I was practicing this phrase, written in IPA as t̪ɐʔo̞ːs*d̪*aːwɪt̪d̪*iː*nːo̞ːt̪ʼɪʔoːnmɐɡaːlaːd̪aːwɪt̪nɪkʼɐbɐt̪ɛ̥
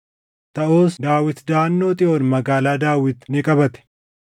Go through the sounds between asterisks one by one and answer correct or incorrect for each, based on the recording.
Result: correct, incorrect: aː

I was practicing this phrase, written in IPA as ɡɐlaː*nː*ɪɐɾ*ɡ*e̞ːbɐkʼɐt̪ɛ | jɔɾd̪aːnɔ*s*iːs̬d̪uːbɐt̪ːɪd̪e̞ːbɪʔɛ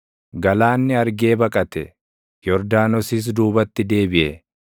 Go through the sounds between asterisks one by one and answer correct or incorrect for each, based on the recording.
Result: correct, correct, correct

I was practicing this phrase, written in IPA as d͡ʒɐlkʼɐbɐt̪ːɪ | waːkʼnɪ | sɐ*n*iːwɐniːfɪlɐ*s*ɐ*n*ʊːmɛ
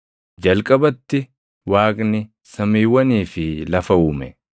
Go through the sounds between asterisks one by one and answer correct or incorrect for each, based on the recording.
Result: incorrect: m, incorrect: f, incorrect: none

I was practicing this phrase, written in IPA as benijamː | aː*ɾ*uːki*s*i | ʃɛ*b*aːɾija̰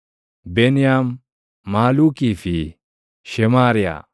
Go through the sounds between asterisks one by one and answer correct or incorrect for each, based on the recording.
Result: incorrect: l, incorrect: f, incorrect: m

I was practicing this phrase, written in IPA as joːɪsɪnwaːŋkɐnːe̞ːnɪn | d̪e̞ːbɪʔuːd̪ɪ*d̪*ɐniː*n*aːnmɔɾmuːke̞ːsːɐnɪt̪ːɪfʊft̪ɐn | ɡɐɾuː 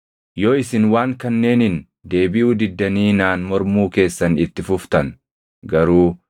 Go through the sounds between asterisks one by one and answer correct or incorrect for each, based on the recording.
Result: incorrect: d̪ː, correct

